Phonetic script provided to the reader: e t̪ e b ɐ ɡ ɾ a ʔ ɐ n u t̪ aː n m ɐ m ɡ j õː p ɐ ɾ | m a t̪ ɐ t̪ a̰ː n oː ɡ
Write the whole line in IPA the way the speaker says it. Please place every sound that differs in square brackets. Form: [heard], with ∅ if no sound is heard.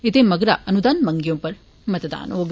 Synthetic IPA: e t̪ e [m] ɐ ɡ ɾ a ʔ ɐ n u [d̪] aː n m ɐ [ŋ] ɡ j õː p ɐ ɾ | m [ɐ] t̪ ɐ [d̪] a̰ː n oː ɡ